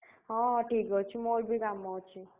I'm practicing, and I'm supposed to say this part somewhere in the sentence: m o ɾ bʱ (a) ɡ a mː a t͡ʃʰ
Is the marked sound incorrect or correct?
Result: incorrect